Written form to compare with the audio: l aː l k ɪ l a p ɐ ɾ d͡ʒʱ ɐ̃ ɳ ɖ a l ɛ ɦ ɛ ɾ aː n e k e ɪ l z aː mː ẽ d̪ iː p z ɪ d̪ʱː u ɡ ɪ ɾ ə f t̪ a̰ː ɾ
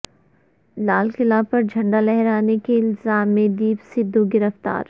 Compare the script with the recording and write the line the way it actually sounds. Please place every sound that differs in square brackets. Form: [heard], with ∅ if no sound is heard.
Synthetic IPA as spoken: l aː l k ɪ l a p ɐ ɾ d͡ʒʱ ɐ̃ ɳ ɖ a l ɛ ɦ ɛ ɾ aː n e k e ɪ l z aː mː ẽ d̪ iː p [s] ɪ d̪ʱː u ɡ ɪ ɾ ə f t̪ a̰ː ɾ